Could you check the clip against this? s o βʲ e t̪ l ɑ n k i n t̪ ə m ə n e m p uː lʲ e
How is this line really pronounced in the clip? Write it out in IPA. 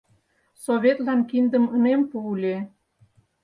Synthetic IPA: s o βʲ e t̪ l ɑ n k i n d̪ ə m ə n e m p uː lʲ e